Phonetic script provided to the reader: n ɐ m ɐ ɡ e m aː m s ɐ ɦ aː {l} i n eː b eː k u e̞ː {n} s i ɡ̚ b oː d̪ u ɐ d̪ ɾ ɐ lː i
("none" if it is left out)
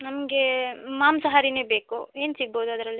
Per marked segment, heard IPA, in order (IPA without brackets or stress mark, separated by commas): ɾ, n